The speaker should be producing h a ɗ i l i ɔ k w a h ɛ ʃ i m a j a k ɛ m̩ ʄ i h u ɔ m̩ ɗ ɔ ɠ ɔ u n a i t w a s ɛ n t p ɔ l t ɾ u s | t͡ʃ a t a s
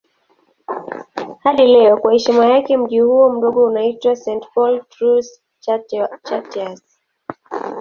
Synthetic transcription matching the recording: h a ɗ i l ɛ ɔ k w a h ɛ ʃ i m a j a k ɛ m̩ ʄ i h u ɔ m̩ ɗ ɔ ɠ ɔ u n a i t w a s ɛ n t p ɔ l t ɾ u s | t͡ʃ a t a s

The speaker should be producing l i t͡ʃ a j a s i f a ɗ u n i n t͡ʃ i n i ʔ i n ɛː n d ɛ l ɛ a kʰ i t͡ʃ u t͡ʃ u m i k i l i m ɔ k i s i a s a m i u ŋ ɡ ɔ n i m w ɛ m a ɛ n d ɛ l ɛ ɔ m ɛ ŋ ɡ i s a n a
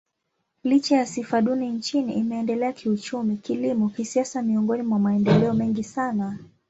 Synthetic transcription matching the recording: l i t͡ʃ a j a s i f a ɗ u n i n t͡ʃ i n i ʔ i m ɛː n d ɛ l ɛ a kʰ i u t͡ʃ u m i k i l i m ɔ k i s i a s a m i ɔ ŋ ɡ ɔ n i m w a m a ɛ n d ɛ l ɛ ɔ m ɛ ŋ ɡ i s a n a

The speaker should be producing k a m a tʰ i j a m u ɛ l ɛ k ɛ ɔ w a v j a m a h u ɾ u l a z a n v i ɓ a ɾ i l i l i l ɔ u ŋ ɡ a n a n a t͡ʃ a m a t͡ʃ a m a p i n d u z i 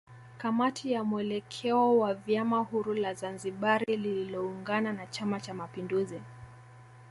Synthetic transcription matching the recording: k a m a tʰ i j a m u ɛ l ɛ kʰ ɛ ɔ w a v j a m a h u ɾ u l a z a n z i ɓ a ɾ i l i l i l ɔ u ŋ ɡ a n a n a t͡ʃ a m a t͡ʃ a m a p i n d u z i

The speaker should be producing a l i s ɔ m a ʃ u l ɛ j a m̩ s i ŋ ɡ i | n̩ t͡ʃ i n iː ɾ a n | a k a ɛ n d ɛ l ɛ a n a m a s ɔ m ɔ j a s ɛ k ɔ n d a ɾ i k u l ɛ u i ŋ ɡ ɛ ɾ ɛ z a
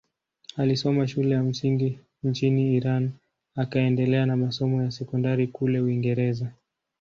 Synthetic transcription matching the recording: a l i s ɔ m a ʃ u l ɛ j a m̩ s i ŋ ɡ i | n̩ t͡ʃ i n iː ɾ a n | a k a ɛ n d ɛ l ɛ a n a m a s ɔ m ɔ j a s ɛ k ɔ n d a ɾ i k u l ɛ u i ŋ ɡ ɛ ɾ ɛ z a

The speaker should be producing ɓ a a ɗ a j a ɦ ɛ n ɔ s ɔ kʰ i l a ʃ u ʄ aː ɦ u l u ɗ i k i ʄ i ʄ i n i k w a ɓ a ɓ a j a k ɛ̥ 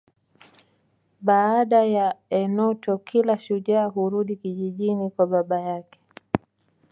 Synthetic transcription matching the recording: ɓ a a ɗ a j a ɛ n ɔ t ɔ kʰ i l a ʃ u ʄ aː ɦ u ɾ u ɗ i k i ʄ i ʄ i n i k w a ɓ a ɓ a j a k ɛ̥

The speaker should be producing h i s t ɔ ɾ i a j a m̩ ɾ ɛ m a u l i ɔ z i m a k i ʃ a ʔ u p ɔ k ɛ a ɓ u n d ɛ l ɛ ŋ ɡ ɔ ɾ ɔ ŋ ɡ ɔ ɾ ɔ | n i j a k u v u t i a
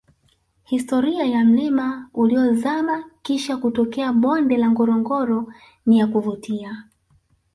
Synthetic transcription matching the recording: h i s t ɔ ɾ i a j a m̩ l ɛ m a u l i ɔ z a m a k i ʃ a k u t ɔ k ɛ a ɓ ɔ n d ɛ l a ŋ ɡ ɔ ɾ ɔ ŋ ɡ ɔ ɾ ɔ | n i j a k u v u t i a

